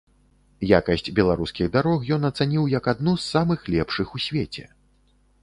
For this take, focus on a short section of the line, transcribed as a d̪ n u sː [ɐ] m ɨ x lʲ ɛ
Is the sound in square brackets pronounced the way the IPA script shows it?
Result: no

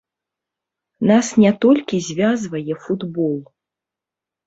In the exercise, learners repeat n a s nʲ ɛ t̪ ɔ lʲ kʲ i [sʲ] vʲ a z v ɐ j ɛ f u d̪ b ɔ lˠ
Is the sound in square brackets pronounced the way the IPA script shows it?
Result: no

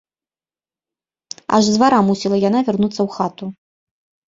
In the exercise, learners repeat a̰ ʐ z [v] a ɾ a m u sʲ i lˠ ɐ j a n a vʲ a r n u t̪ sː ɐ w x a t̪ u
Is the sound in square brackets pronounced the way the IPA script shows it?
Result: yes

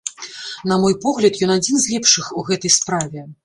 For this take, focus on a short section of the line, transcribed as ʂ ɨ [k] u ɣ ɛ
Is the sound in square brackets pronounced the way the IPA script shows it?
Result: no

